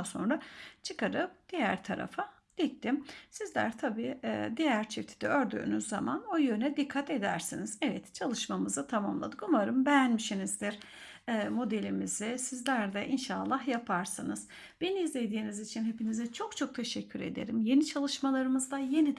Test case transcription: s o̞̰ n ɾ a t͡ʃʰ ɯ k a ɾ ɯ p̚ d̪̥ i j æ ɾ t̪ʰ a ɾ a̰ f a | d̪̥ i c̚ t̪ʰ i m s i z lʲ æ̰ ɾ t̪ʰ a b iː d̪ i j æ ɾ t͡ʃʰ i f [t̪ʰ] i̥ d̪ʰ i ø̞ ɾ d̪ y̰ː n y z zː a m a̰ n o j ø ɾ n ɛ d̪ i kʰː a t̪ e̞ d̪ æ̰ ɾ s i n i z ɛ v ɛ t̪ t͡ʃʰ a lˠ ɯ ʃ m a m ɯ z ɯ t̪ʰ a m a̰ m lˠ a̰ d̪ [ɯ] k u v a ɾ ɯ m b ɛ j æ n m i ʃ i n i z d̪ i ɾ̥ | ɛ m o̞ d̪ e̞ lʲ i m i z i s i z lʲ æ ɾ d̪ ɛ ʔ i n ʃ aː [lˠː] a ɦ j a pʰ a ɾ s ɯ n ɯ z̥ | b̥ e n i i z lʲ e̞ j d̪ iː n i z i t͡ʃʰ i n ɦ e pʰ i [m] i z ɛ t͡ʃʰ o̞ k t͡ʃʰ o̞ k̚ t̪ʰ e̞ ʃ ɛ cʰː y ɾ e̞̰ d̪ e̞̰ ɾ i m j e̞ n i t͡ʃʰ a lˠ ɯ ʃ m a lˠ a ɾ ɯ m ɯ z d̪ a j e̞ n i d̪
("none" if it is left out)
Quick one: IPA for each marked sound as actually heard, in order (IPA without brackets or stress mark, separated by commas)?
t̪ʰ, ɯ, lˠː, n